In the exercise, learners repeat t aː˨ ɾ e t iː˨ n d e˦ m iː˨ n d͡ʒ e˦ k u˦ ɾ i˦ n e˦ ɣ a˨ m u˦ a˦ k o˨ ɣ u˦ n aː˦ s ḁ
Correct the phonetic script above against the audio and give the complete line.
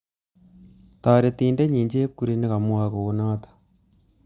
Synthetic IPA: t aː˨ ɾ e t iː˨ n d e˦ ɲ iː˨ ɲ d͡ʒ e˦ k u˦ ɾ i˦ n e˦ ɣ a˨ m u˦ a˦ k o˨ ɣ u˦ n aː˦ t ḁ